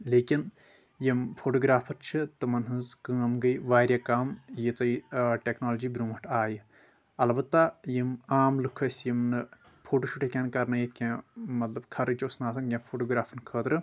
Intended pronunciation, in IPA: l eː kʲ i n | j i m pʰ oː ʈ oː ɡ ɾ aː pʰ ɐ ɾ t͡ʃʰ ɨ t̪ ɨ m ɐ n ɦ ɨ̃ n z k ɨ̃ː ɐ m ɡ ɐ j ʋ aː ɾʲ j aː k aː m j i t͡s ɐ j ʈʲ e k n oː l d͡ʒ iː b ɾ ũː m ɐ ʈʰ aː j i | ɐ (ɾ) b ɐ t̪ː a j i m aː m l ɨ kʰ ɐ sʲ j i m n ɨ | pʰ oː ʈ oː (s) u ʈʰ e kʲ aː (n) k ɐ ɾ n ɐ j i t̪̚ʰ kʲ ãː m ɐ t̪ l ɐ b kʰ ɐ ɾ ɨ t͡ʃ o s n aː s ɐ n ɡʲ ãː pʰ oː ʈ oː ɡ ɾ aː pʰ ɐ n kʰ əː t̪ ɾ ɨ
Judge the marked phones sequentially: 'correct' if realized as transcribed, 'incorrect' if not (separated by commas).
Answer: incorrect, incorrect, correct